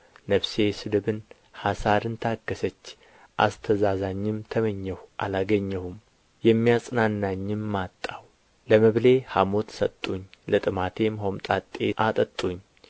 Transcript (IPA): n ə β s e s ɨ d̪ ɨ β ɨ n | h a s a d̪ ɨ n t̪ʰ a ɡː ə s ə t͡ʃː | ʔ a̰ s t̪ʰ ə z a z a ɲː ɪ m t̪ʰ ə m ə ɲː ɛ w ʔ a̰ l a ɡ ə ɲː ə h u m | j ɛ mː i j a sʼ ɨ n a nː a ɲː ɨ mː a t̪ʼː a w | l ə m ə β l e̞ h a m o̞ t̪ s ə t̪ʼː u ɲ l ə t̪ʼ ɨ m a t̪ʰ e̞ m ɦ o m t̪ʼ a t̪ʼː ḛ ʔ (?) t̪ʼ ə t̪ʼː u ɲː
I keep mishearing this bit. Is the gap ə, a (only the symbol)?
a